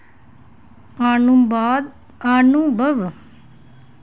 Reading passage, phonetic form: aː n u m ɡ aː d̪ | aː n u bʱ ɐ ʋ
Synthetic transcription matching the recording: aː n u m b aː d̪ | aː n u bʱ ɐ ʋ